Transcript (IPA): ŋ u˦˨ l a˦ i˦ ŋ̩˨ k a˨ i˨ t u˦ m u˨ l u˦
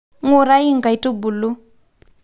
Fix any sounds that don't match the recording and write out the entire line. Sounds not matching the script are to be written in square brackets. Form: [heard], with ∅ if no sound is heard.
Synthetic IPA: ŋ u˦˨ [ɾ] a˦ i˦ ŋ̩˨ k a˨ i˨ t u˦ [b] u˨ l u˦